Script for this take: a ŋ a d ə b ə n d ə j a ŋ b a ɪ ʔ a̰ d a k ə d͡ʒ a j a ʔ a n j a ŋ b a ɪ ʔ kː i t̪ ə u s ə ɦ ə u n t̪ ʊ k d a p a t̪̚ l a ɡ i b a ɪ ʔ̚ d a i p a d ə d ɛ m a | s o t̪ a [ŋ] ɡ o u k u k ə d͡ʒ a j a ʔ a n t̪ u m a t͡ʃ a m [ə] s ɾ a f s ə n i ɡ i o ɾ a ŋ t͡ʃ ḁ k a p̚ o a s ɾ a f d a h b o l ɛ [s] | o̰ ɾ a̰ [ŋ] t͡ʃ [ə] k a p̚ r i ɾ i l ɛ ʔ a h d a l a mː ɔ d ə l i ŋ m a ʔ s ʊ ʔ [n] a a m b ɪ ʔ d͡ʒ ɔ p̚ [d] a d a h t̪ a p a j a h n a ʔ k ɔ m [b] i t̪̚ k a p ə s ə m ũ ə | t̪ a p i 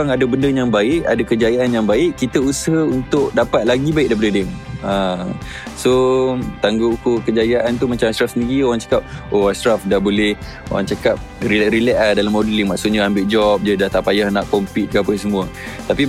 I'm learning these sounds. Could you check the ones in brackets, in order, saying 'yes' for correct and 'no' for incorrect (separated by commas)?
yes, no, no, yes, no, no, no, no